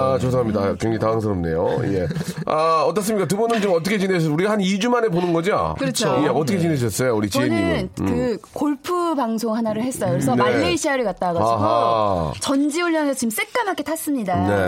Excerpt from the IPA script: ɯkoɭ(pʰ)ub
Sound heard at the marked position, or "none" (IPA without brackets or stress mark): pʰ